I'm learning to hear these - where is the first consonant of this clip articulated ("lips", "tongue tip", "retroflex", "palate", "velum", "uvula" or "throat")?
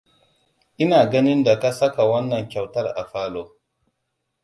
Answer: throat